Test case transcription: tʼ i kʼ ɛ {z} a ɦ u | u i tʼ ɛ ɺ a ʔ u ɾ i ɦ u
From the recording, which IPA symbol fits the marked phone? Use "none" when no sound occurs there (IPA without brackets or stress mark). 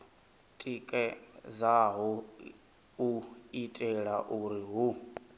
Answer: z